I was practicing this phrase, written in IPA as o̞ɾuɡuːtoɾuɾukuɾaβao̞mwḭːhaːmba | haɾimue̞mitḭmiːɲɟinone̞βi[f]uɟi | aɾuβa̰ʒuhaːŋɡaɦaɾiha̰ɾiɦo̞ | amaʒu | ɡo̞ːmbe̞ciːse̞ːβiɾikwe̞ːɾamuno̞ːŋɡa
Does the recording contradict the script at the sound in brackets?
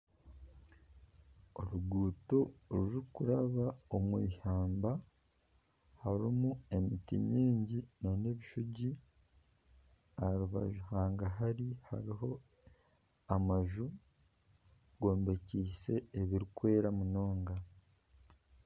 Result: yes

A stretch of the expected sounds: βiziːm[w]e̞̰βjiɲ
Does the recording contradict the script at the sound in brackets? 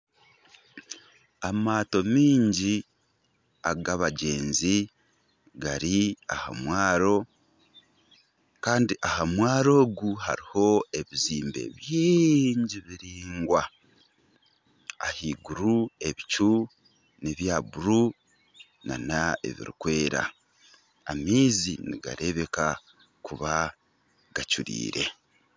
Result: yes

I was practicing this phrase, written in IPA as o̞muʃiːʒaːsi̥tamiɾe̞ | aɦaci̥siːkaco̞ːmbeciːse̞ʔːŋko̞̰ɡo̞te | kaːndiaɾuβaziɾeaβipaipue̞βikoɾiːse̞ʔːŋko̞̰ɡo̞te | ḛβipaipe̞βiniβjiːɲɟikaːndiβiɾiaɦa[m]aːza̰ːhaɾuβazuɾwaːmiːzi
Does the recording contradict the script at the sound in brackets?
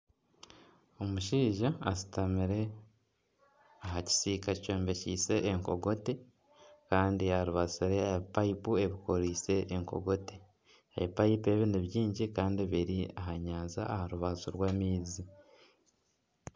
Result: yes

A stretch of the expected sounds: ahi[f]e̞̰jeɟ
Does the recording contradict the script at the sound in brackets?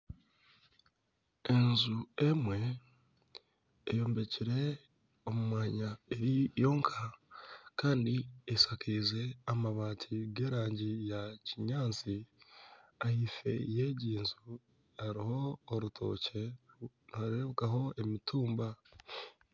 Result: no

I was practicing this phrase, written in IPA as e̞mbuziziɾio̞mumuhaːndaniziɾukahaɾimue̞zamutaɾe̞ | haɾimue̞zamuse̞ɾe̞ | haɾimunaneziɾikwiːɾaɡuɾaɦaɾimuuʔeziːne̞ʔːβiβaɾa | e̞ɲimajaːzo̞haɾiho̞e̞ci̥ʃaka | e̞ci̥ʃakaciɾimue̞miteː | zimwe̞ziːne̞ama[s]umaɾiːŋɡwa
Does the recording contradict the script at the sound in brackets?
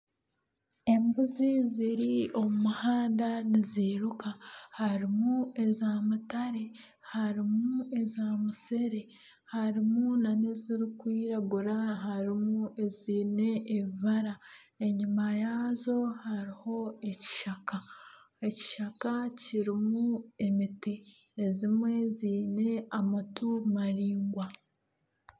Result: yes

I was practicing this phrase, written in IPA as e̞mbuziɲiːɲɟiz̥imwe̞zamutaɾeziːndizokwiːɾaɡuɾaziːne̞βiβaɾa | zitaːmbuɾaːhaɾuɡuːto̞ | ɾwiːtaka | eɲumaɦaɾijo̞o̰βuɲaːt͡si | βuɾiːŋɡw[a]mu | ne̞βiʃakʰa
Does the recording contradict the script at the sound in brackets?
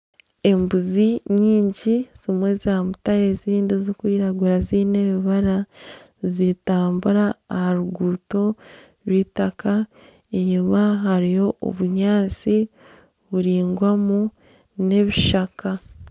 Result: no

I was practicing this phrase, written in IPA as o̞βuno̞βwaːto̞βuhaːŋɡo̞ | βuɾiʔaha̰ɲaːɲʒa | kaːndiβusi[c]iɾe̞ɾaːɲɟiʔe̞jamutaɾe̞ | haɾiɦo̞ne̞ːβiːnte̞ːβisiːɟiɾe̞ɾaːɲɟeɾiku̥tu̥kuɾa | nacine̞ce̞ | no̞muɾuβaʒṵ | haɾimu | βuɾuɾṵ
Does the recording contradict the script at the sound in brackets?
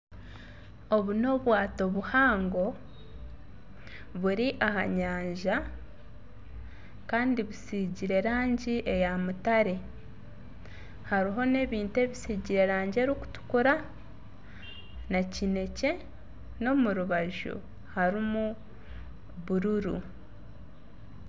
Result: yes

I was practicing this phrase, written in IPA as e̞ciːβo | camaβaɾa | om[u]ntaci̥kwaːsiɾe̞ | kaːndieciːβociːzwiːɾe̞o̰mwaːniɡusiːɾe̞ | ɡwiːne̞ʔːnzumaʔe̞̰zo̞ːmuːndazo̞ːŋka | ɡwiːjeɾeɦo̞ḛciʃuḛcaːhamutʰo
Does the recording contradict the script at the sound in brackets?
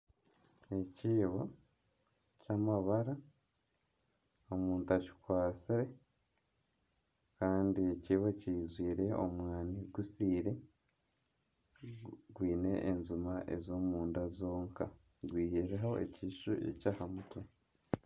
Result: yes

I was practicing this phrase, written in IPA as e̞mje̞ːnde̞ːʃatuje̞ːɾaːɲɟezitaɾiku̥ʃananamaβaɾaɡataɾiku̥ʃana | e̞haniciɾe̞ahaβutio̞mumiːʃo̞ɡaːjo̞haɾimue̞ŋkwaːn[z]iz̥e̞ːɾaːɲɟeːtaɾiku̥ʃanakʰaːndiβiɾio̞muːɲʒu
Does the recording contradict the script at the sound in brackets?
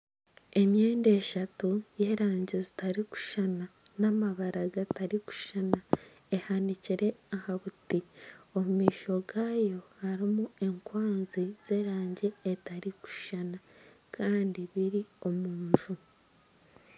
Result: no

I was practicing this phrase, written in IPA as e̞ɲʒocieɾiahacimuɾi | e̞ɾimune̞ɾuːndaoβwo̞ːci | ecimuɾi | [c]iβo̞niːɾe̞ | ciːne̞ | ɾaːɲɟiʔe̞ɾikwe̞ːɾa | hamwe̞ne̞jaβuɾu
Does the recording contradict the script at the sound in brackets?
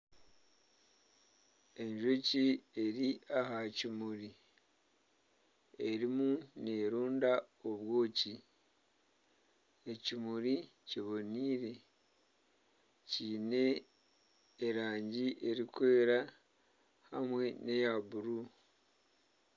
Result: no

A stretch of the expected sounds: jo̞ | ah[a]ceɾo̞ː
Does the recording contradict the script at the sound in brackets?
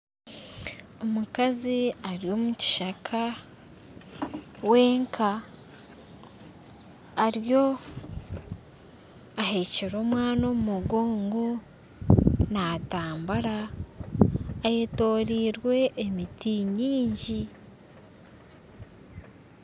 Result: yes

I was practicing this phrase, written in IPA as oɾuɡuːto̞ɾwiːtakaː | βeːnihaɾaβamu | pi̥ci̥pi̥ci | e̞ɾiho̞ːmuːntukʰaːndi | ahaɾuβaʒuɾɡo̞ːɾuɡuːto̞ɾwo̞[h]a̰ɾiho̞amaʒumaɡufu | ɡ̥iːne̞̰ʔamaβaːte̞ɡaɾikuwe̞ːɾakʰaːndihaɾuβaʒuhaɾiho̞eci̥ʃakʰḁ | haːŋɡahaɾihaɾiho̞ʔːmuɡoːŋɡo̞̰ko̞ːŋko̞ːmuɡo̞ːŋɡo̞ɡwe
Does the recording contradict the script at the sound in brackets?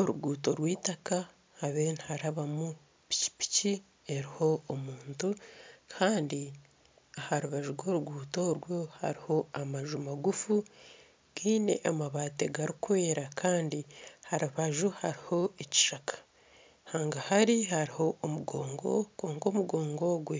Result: no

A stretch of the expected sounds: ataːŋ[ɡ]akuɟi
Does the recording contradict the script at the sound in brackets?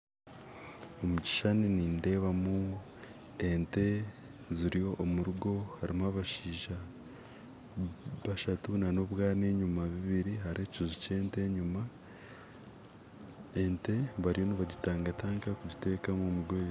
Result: yes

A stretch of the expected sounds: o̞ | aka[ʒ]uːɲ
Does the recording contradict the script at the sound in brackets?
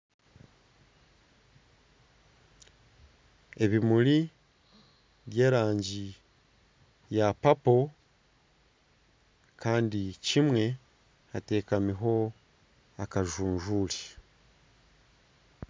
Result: no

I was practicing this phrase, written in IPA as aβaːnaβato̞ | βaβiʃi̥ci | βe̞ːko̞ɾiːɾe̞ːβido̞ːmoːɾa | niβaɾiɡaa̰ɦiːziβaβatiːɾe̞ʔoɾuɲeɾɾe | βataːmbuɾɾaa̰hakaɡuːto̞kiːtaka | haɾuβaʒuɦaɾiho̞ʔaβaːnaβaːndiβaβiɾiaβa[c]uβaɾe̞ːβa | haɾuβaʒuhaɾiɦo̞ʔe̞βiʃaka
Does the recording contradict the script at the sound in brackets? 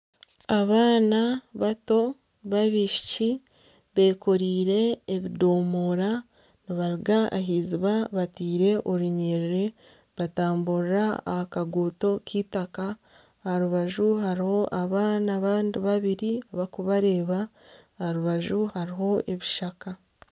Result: yes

